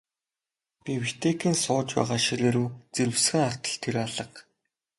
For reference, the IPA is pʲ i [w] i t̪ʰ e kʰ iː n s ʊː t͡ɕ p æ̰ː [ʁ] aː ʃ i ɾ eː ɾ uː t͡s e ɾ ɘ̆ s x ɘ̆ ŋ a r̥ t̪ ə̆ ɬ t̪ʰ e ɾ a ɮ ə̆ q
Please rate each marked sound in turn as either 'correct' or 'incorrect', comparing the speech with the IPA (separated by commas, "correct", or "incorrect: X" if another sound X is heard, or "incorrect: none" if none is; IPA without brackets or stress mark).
correct, correct